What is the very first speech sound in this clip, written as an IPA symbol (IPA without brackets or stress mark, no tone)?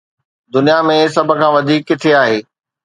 d̪